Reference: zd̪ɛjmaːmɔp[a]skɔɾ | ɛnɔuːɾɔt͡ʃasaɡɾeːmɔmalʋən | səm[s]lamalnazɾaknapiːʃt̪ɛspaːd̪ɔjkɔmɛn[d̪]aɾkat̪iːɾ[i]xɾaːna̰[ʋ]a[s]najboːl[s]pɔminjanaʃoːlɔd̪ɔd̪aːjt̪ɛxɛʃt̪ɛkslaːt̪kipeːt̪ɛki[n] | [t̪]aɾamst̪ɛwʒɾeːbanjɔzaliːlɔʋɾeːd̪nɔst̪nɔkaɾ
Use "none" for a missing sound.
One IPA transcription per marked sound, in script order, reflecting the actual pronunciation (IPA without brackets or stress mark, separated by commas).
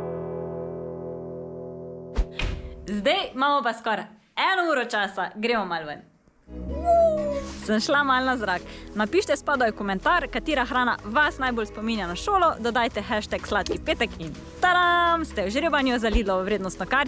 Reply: a, ʃ, t̪, a, ʋ, s, s, n, t̪